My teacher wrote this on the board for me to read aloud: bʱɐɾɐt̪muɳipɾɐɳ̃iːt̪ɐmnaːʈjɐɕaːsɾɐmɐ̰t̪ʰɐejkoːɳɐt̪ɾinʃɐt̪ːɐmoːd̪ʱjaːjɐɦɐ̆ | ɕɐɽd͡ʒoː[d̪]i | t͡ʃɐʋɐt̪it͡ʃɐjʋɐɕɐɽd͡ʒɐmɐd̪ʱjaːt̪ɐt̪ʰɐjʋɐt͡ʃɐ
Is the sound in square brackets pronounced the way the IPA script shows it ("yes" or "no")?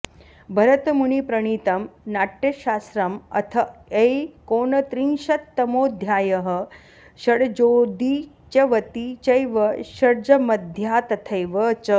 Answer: yes